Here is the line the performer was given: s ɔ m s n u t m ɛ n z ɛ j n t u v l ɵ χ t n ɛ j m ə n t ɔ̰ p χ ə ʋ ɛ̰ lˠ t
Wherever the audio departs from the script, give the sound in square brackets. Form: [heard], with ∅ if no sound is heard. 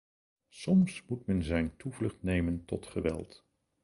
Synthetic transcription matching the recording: s ɔ m s [m] u t m ɛ n z ɛ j n t u v l ɵ χ t n [e] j m ə n t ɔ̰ [t] χ ə ʋ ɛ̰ lˠ t